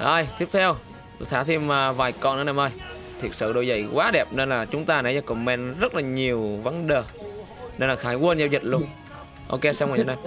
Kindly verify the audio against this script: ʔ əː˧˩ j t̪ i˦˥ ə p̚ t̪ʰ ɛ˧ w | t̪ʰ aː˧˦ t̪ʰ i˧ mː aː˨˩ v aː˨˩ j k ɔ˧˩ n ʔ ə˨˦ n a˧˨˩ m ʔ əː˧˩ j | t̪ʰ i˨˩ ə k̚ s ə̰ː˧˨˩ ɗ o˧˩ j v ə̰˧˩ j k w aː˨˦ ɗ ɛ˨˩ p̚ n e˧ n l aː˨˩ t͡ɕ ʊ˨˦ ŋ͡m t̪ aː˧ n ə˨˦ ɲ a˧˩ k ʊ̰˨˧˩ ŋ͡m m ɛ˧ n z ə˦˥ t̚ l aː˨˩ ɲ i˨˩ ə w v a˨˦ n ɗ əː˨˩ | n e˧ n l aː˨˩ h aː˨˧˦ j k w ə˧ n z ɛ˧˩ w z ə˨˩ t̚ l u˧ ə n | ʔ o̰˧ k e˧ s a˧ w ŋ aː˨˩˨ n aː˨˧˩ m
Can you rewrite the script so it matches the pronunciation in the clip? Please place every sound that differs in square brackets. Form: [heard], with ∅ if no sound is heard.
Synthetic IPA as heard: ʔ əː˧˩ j t̪ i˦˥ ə p̚ t̪ʰ ɛ˧ w | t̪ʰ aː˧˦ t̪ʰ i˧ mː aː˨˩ v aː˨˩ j k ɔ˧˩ n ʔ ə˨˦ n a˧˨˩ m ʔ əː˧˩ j | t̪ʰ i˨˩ ə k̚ s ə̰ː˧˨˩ ɗ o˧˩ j [z] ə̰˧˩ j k w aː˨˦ ɗ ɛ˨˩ p̚ n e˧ n l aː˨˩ t͡ɕ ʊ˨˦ ŋ͡m t̪ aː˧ n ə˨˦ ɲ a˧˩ k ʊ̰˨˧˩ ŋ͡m m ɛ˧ n z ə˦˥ t̚ l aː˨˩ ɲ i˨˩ ə w v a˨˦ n ɗ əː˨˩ | n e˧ n l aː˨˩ [x] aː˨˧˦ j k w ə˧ n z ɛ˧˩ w z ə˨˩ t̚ l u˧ ə n | ʔ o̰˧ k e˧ s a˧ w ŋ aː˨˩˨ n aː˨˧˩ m